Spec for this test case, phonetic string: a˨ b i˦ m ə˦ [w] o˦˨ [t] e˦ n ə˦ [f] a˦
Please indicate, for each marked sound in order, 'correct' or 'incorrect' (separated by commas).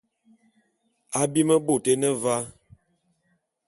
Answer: incorrect, correct, incorrect